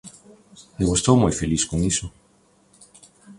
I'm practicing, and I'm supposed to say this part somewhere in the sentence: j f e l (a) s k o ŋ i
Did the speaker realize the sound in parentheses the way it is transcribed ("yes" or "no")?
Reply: no